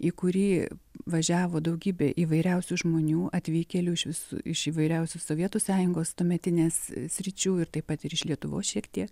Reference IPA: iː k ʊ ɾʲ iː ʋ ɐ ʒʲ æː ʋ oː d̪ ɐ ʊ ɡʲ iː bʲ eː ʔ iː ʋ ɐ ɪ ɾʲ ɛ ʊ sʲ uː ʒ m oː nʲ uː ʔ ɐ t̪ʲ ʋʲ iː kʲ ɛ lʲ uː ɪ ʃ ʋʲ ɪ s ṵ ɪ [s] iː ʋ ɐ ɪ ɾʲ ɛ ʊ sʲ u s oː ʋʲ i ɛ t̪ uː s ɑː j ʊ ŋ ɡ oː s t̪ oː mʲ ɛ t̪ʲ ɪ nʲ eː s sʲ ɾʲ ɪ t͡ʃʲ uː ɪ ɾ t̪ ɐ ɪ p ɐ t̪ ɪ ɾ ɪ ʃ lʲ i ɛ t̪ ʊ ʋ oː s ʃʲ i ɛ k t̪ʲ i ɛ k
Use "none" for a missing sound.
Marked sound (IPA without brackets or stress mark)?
ʃ